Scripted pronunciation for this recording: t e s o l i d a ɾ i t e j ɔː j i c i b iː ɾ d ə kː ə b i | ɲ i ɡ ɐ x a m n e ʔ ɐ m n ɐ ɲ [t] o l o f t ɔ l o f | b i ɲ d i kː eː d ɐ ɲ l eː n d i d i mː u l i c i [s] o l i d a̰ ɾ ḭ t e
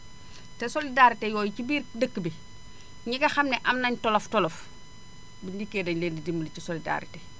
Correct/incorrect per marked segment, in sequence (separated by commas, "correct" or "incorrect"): correct, correct